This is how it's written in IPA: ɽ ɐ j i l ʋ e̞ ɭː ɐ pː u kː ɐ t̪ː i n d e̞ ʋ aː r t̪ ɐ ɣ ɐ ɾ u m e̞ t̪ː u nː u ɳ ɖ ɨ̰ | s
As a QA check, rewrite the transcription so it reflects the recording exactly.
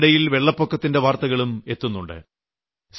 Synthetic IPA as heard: ɽ ɐ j i l ʋ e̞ ɭː ɐ pː o kː ɐ t̪ː i n d e̞ ʋ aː r t̪ ɐ ɣ ɐ ɭ u m e̞ t̪ː u nː u ɳ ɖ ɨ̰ | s